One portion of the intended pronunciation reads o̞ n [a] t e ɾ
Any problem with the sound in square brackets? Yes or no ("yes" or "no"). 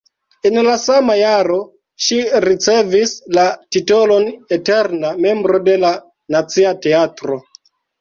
yes